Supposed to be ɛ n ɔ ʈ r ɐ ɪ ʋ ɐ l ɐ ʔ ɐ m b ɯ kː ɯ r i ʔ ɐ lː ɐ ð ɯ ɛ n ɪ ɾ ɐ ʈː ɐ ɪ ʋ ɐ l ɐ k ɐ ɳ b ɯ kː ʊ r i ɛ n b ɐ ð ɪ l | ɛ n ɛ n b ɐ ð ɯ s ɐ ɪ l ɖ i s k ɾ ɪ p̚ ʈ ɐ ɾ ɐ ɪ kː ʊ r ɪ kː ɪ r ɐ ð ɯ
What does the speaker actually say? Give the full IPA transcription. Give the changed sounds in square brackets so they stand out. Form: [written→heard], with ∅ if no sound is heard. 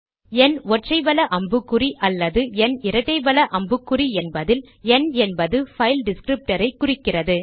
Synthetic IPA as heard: ɛ n ɔ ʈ r ɐ ɪ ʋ ɐ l ɐ ʔ ɐ m b ɯ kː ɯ r i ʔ ɐ lː ɐ ð ɯ ɛ n ɪ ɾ ɐ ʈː ɐ ɪ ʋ ɐ l ɐ [k→ʔ] ɐ [ɳ→m] b ɯ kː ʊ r i ɛ n b ɐ ð ɪ l | ɛ n ɛ n b ɐ ð ɯ [s→f] ɐ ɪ l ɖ [i→ɪ] s k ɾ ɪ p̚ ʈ ɐ ɾ ɐ ɪ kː ʊ r ɪ kː ɪ r ɐ ð ɯ

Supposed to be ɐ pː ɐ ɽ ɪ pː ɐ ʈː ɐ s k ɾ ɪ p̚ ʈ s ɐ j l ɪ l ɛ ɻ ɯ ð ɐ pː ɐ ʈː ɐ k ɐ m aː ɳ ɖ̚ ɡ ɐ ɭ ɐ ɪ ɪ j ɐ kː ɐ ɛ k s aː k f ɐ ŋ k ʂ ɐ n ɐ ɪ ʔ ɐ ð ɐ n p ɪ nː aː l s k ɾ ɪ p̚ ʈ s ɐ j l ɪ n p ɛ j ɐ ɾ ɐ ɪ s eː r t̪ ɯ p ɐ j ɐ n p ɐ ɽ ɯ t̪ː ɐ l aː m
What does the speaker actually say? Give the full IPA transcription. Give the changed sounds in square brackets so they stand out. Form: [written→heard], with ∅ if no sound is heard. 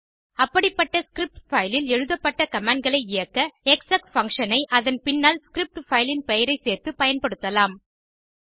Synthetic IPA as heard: ɐ pː ɐ ɽ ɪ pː ɐ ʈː ɐ s k ɾ ɪ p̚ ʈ [s→f] ɐ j l ɪ l ɛ ɻ ɯ ð ɐ pː ɐ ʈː ɐ k ɐ m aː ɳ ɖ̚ ɡ ɐ ɭ ɐ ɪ ɪ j ɐ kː ɐ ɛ k s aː k f ɐ ŋ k ʂ ɐ n ɐ ɪ ʔ ɐ ð ɐ n p ɪ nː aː l s k ɾ ɪ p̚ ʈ [s→f] ɐ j l ɪ n p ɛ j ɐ ɾ ɐ ɪ s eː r t̪ ɯ p ɐ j ɐ n p ɐ ɽ ɯ t̪ː ɐ l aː m

